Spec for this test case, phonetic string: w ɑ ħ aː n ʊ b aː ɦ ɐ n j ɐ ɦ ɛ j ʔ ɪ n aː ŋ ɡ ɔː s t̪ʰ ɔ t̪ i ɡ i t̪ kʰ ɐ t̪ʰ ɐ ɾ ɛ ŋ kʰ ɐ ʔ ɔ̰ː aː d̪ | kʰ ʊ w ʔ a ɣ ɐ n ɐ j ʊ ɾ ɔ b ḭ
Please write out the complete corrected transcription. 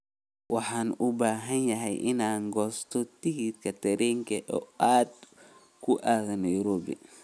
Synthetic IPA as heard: w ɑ ħ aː n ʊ b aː ɦ ɐ n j ɐ ɦ ɛ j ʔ ɪ n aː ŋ ɡ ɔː s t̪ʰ ɔ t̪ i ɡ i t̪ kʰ ɐ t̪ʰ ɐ ɾ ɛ ŋ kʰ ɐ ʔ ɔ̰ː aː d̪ | kʰ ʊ ʔ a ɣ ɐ n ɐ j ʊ ɾ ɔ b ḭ